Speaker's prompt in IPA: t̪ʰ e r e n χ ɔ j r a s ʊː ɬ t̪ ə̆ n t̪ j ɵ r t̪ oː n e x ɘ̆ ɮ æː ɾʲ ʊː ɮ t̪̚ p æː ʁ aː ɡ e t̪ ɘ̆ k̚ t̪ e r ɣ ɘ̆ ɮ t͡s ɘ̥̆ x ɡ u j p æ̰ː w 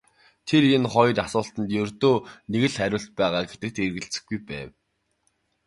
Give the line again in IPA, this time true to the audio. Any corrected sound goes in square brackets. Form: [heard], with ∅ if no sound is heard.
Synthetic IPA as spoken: t̪ʰ e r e n χ ɔ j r a s ʊː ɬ t̪ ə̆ n t̪ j ɵ r t̪ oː n e [ɣ] ɘ̆ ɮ [æ] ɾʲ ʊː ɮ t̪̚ p æː ʁ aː ɡ e t̪ ɘ̆ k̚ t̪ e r ɣ ɘ̆ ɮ t͡s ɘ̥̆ x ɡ u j p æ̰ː w